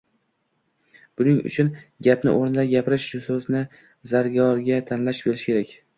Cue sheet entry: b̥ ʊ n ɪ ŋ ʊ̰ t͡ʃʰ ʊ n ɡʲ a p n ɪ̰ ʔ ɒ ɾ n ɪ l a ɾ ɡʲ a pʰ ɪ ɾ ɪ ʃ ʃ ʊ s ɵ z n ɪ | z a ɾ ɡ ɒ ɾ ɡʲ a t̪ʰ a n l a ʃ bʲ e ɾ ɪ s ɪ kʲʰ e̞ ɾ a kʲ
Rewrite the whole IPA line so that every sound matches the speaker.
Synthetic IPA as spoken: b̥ ʊ n ɪ ŋ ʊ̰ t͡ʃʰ ʊ n ɡʲ a p n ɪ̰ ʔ o ɾ n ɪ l a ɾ ɡʲ a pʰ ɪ ɾ ɪ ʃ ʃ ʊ s ɵ z n ɪ | z a ɾ ɡ ɒ ɾ ɡʲ a t̪ʰ a n l a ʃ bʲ e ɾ ɪ ʃ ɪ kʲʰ e̞ ɾ a kʲ

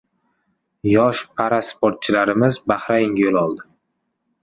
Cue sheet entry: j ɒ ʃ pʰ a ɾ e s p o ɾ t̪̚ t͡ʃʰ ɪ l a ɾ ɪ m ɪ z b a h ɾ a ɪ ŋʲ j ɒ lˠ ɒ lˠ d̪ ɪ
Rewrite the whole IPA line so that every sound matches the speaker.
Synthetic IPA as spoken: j ɒ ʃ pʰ a ɾ a s p o ɾ t̪̚ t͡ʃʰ ɪ l a ɾ ɪ m ɪ z b a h ɾ a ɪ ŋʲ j o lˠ ɒ lˠ d̪ ɪ

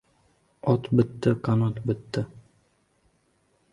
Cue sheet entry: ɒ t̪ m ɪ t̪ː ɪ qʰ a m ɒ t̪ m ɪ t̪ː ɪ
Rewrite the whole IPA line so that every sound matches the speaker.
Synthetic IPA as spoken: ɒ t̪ b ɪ t̪ː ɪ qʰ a n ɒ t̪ b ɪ t̪ː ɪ

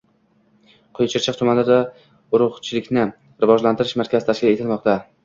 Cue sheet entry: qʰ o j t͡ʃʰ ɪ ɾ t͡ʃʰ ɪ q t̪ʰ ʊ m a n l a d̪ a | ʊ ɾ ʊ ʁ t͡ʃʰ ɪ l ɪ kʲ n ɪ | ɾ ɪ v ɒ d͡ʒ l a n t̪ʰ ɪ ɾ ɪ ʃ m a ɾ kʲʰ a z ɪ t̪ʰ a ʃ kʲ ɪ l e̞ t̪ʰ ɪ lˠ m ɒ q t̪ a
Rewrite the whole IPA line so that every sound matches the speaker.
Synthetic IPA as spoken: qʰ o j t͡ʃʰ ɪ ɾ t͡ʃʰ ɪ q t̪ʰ ʊ m a n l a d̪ a | ʊ ɾ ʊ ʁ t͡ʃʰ ɪ l ɪ kʲ n ɪ | ɾ ɪ v ɒ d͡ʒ l a n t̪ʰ ɪ ɾ ɪ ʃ m a ɾ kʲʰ a z ɪ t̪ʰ a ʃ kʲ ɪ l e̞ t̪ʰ ɪ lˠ m ɒ q t̪ a

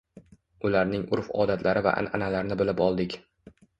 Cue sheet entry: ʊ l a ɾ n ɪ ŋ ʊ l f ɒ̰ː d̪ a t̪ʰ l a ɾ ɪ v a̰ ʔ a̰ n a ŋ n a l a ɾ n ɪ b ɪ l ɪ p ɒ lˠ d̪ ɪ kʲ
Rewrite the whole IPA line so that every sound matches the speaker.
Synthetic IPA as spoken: ʊ l a ɾ n ɪ ŋ ʊ ɾ f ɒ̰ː d̪ a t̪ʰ l a ɾ ɪ v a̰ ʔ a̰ n a n a l a ɾ n ɪ b ɪ l ɪ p ɒ lˠ d̪ ɪ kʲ

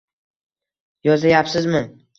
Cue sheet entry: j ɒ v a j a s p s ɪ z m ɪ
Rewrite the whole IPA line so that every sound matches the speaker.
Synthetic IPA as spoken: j ɒ z a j a p s ɪ z m ɪ

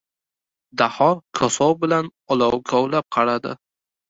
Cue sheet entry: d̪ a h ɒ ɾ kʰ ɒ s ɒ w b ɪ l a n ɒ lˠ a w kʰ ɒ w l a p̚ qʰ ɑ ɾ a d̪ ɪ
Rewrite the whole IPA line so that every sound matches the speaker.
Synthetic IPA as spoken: d̪ a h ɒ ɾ kʰ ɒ s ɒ w b ɪ l a n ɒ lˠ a w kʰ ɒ w l a p̚ qʰ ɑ ɾ a d̪ ɪ

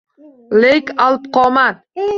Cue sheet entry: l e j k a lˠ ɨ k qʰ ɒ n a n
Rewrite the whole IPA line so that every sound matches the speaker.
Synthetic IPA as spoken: l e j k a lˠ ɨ p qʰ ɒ m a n

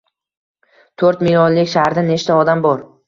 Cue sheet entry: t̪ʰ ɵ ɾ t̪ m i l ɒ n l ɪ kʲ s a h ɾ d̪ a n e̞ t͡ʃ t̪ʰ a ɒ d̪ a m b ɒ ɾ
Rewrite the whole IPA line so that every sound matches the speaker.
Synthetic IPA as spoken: t̪ʰ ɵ ɾ t̪ m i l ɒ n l ɪ kʲ ʃ a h ɾ d̪ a n e̞ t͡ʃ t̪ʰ a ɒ d̪ a m b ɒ ɾ

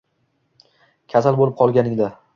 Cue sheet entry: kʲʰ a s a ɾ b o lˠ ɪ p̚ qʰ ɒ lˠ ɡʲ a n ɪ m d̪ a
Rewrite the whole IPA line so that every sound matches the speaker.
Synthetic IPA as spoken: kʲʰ a s a l b o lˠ ɪ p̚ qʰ ɒ lˠ ɡʲ a n ɪ ŋ d̪ a

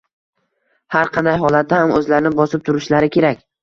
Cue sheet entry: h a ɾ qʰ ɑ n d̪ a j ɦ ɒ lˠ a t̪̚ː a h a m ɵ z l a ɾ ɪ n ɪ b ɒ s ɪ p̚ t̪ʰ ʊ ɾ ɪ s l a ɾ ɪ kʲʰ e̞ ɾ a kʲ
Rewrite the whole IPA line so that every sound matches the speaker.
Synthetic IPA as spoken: h a ɾ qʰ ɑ n d̪ a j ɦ ɒ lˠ a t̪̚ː a h a m ɵ z l a ɾ ɪ n ɪ b ɒ s ɪ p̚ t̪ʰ ʊ ɾ ɪ ʃ l a ɾ ɪ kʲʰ e̞ ɾ a kʲ

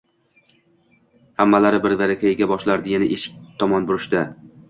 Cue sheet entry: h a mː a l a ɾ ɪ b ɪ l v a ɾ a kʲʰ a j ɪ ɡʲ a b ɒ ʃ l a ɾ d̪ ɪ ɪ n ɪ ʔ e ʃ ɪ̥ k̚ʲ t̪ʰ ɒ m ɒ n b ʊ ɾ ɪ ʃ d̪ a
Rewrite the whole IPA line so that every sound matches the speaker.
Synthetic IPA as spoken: h a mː a l a ɾ ɪ b ɪ ɾ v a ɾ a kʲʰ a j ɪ ɡʲ a b ɒ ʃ l a ɾ d̪ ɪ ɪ n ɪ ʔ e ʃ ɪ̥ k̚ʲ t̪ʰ ɒ m ɒ n b ʊ ɾ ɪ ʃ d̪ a

